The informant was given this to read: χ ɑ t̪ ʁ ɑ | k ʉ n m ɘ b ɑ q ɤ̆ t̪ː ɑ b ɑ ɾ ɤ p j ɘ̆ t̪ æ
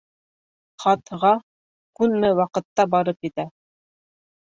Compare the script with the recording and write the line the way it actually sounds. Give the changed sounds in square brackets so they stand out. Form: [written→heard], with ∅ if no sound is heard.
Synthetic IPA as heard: χ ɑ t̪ ʁ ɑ | k ʉ n m ɘ [b→w] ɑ q ɤ̆ t̪ː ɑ b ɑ ɾ ɤ p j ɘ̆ t̪ æ